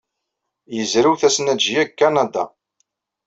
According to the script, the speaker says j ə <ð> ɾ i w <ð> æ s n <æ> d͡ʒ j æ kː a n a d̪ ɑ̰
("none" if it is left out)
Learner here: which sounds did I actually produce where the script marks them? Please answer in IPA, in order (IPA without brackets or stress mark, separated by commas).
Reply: z, θ, æ